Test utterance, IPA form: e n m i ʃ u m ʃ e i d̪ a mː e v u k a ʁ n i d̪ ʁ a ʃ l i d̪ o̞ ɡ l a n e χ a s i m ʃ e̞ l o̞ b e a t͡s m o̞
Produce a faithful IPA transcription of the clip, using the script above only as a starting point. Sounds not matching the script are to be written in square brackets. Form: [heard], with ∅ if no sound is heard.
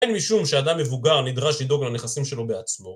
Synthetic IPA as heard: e n m i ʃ u m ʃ e [a] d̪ a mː e v u [ɡ] a ʁ n i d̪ ʁ a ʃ l i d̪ o̞ ɡ l a n e χ a s i m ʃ e̞ l o̞ b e a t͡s m o̞